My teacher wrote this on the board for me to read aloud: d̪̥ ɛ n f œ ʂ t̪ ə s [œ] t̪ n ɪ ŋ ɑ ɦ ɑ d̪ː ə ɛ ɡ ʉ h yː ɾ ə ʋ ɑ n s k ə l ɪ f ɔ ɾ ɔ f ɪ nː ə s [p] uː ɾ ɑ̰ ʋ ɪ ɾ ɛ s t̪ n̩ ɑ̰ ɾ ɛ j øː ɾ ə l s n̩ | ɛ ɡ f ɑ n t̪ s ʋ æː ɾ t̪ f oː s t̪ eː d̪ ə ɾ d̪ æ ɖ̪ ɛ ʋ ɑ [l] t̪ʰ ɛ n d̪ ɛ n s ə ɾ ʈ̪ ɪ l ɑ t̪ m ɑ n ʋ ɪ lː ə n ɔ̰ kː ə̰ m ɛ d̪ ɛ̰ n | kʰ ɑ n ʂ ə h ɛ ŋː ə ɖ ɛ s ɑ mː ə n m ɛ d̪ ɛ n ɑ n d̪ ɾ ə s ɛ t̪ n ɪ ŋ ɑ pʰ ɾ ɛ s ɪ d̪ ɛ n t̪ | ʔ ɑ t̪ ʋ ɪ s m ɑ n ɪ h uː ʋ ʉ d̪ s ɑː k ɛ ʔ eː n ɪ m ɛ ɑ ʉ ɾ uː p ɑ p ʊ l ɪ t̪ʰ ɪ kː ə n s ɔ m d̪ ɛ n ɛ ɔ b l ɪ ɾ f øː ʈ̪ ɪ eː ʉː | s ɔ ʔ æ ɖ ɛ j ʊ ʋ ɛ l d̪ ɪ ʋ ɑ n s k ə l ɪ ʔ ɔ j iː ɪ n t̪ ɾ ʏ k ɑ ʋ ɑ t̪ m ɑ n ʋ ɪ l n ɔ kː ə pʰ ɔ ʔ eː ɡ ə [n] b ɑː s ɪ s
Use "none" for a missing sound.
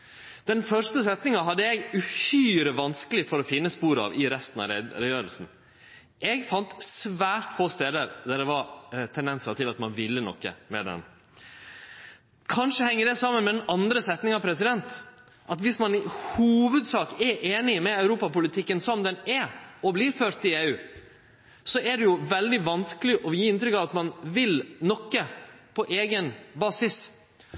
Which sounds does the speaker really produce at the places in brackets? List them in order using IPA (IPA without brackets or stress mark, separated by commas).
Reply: ɛ, p, ɾ, n